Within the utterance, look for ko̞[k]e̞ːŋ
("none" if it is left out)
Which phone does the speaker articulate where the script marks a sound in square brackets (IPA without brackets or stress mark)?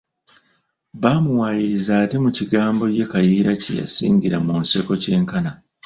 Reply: c